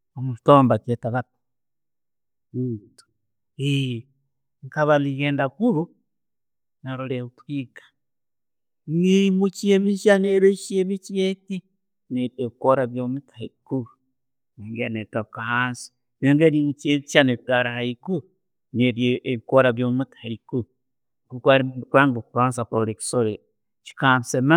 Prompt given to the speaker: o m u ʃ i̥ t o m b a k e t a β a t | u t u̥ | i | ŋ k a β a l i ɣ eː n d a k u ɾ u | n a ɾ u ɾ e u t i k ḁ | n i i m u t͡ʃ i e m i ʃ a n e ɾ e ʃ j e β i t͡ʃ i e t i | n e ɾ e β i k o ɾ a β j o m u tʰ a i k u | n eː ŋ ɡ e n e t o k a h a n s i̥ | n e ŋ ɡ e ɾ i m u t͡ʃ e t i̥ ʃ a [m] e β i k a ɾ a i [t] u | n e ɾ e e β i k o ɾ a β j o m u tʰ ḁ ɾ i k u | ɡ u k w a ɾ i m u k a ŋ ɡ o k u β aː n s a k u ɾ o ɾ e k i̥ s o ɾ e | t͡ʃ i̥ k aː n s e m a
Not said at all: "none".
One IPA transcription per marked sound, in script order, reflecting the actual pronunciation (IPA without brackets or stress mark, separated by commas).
n, k